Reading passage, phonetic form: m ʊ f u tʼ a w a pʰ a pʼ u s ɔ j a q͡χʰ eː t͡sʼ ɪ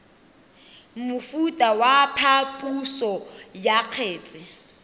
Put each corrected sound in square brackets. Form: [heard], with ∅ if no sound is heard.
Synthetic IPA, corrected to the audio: m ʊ f u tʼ a w a pʰ a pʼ u s ɔ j a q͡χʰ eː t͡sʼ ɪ